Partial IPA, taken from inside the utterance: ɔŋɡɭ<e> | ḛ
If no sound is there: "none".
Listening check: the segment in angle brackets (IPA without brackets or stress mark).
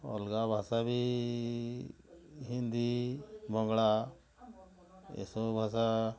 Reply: a